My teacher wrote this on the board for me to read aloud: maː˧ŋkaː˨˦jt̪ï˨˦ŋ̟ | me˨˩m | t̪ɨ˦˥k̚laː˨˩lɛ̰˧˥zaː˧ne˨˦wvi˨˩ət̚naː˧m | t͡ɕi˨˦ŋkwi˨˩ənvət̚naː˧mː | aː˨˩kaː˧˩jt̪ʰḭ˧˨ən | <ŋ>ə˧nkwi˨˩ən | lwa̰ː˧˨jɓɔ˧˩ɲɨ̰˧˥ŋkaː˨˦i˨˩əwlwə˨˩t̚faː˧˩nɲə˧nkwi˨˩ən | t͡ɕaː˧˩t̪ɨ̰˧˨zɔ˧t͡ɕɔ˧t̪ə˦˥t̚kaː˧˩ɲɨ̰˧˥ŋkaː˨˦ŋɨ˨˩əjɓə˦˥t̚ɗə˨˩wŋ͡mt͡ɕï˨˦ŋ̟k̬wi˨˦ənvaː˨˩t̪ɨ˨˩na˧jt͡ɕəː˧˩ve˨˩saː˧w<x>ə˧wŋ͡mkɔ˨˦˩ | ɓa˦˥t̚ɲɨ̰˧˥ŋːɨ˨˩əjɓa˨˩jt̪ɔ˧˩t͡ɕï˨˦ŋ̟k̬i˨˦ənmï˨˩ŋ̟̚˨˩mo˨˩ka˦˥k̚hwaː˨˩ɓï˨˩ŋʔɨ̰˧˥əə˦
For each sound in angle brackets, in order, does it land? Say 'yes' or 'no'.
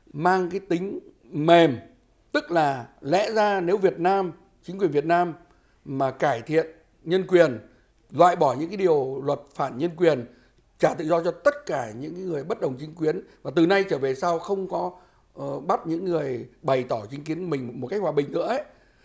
no, yes

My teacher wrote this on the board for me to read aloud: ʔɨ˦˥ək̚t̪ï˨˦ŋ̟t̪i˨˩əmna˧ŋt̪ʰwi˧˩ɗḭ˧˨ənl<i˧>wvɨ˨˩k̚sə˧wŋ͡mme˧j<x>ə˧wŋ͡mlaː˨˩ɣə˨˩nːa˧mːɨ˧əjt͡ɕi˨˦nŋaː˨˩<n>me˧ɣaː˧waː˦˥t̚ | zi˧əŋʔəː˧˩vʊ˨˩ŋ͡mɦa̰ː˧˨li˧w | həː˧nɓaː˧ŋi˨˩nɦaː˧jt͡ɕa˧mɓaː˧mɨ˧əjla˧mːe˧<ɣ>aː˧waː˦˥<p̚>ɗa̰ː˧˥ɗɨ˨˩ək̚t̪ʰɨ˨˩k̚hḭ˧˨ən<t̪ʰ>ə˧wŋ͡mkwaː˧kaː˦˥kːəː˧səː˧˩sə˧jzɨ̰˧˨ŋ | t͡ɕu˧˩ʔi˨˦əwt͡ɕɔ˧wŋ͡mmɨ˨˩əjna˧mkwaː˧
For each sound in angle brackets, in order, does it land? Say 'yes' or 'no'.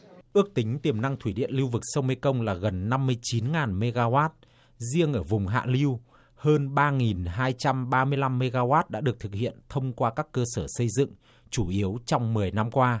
yes, no, yes, yes, no, yes

